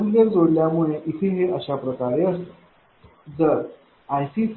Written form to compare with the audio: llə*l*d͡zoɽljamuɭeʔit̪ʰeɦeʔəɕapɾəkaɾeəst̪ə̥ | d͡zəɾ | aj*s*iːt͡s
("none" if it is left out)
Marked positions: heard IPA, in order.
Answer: ɾ, s

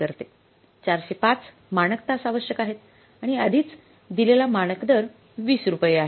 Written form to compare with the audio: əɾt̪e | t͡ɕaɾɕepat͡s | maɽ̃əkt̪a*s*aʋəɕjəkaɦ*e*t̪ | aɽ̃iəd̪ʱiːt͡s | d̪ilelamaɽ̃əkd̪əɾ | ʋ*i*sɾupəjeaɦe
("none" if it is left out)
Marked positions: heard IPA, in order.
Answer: s, e, iː

